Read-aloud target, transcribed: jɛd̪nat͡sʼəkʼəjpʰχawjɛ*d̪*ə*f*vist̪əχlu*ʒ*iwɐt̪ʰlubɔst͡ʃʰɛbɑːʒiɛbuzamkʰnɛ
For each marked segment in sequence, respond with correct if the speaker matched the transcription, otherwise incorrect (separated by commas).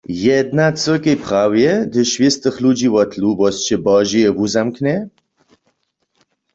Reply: correct, incorrect, incorrect